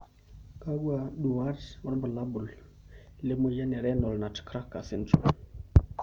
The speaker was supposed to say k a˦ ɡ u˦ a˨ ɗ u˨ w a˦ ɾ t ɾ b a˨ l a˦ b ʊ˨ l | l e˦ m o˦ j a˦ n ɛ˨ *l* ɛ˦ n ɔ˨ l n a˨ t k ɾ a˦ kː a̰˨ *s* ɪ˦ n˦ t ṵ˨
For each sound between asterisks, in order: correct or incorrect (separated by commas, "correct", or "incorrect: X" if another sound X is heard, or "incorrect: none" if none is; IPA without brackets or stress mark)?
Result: incorrect: ɾ, correct